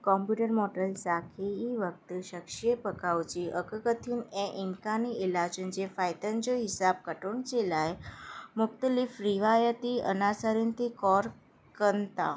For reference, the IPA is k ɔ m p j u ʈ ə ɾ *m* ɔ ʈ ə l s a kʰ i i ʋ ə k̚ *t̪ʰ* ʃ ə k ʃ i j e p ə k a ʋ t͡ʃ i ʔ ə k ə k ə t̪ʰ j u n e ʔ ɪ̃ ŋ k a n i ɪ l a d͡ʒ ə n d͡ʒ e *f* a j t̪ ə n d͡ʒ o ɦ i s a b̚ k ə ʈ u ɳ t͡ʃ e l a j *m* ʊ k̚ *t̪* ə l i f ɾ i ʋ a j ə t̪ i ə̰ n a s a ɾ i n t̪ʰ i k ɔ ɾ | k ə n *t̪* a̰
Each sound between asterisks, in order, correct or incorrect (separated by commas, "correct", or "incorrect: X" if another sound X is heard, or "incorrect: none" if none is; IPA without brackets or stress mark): correct, incorrect: t̪, correct, correct, correct, correct